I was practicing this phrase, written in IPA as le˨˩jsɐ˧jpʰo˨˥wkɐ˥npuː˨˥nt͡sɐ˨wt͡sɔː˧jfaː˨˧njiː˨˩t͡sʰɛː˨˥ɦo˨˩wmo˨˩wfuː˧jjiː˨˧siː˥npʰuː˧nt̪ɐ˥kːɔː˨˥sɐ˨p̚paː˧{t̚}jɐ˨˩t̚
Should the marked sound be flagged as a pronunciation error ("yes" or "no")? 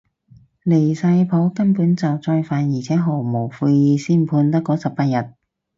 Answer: no